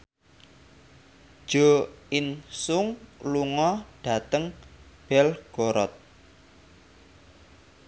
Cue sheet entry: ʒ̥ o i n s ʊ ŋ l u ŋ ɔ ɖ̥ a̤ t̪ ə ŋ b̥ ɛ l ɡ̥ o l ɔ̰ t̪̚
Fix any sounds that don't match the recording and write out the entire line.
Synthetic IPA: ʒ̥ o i n s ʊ ŋ l u ŋ ɔ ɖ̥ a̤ t̪ ə ŋ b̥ ɛ l ɡ̥ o ɾ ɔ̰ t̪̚